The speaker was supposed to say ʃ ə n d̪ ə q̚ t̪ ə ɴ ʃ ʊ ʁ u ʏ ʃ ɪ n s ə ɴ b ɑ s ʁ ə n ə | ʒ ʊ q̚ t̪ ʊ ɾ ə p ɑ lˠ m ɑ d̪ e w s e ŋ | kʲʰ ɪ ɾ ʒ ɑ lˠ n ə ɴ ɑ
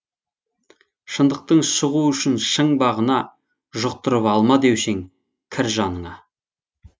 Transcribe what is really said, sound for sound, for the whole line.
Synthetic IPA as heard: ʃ ə n d̪ ə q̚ t̪ ə ɴ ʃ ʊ ʁ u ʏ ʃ ɪ n ʃ ə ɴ b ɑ ʁ ə n ɑ | ʒ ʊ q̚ t̪ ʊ ɾ ə p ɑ lˠ m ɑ d̪ e w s e ŋ | kʲʰ ɪ ɾ ʒ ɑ n ə ɴ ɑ